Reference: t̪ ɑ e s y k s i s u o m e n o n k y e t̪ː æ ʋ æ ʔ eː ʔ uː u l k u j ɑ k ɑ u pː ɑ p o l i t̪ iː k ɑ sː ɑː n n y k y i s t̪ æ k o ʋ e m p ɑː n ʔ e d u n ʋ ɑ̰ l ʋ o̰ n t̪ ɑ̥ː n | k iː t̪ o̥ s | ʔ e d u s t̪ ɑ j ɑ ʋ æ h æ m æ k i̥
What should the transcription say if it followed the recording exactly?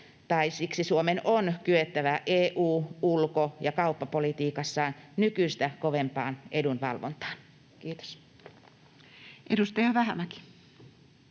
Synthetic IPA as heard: t̪ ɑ i s i k s i s u o m e n o n k y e t̪ː æ ʋ æ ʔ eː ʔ uː u l k o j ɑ k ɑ u pː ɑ p o l i t̪ iː k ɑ sː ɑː n n y k y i s t̪ æ k o ʋ e m p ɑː n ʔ e d u n ʋ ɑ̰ l ʋ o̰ n t̪ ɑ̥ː n | k iː t̪ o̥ s | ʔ e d u s t̪ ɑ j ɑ ʋ æ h æ m æ k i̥